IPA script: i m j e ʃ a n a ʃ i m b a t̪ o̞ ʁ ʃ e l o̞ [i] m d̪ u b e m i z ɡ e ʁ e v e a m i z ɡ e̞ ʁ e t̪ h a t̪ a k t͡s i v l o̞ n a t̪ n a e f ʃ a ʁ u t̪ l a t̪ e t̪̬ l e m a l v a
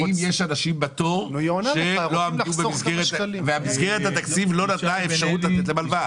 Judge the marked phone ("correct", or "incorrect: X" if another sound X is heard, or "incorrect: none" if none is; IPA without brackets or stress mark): incorrect: a